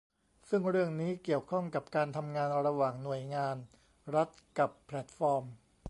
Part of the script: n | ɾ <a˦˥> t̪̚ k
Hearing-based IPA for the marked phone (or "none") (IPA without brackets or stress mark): a˦˥